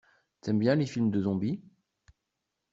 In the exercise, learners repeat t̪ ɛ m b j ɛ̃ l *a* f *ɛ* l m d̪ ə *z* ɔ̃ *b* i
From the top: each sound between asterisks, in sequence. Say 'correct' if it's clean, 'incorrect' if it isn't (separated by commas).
incorrect, incorrect, correct, correct